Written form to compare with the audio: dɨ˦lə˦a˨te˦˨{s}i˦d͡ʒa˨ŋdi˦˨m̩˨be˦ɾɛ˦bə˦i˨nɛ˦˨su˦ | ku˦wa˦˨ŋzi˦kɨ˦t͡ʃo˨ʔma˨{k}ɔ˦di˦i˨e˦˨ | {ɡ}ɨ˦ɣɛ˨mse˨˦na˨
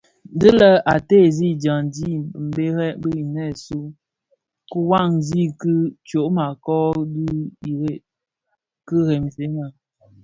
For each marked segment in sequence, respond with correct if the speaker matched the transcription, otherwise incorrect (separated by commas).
incorrect, correct, incorrect